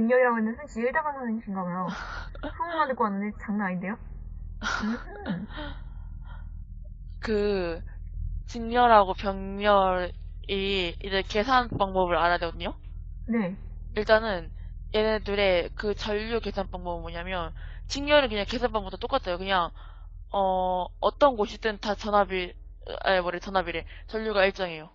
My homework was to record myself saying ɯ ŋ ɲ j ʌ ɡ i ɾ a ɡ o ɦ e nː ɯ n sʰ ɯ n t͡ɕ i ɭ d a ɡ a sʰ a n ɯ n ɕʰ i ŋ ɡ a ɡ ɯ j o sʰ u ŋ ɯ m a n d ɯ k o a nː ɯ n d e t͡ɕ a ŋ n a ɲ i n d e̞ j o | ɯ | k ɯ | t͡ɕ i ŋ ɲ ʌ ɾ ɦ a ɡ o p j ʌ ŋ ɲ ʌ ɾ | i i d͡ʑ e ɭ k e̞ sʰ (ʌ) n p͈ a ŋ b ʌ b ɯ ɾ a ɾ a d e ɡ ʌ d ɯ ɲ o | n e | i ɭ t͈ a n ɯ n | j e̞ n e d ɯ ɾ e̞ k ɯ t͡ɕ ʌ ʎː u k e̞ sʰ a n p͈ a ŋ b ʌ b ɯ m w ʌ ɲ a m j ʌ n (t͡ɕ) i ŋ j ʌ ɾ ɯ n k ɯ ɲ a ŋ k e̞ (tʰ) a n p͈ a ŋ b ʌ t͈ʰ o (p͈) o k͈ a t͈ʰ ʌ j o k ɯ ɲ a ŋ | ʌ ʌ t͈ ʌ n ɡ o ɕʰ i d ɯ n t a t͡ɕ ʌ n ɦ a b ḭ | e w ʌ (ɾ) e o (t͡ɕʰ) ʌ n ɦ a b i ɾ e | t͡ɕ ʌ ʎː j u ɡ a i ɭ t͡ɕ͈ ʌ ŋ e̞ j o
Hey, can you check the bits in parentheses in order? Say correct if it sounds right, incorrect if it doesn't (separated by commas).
incorrect, correct, incorrect, incorrect, correct, incorrect